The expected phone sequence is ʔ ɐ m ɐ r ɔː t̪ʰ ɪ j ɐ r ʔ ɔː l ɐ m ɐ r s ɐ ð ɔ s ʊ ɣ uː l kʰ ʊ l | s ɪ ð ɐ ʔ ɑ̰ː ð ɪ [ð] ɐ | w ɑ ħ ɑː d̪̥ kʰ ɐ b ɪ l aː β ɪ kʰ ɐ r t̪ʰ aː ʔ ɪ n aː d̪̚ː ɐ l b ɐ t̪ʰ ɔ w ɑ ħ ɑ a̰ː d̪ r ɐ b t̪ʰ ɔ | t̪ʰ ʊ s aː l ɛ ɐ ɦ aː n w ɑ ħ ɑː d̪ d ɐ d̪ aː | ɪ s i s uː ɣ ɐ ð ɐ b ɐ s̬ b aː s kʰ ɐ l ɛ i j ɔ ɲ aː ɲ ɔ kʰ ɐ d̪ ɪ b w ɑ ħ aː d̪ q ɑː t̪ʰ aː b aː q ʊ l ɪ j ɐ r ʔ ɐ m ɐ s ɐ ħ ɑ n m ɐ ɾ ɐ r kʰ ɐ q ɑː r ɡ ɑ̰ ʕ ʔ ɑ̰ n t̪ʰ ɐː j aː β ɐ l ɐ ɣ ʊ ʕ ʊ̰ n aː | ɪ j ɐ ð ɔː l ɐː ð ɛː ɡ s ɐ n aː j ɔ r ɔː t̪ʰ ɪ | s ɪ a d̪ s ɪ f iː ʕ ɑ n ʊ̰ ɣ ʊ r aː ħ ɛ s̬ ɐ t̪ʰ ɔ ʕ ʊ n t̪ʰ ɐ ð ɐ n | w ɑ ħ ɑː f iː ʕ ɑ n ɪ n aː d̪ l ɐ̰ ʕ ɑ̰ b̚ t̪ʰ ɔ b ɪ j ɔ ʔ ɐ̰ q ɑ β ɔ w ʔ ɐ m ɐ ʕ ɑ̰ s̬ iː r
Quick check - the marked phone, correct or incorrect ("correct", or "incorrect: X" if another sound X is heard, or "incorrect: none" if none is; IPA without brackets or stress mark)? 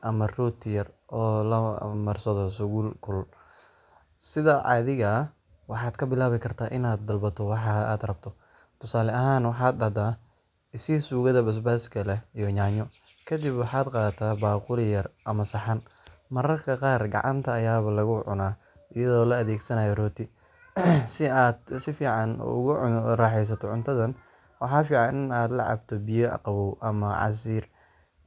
incorrect: ɣ